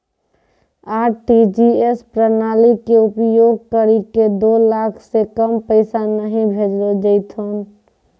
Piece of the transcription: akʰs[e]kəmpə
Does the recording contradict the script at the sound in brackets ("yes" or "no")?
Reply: no